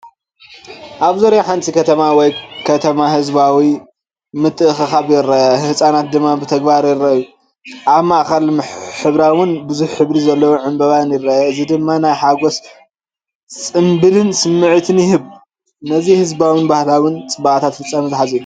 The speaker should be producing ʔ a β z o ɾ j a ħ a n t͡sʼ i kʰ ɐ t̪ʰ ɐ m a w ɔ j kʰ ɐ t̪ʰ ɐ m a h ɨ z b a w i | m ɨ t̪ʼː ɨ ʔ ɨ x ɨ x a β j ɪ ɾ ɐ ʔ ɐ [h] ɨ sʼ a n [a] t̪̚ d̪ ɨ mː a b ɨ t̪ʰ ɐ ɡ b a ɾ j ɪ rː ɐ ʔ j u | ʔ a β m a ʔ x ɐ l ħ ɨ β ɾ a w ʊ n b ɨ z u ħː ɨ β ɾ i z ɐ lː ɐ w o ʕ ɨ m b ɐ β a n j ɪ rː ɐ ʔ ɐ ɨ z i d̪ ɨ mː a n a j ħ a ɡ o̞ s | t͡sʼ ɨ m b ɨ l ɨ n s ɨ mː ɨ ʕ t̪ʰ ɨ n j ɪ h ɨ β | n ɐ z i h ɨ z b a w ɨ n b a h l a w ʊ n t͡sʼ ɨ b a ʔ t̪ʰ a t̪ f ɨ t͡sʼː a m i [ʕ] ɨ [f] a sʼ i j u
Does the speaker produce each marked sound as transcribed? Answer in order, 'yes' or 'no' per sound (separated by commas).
yes, yes, no, no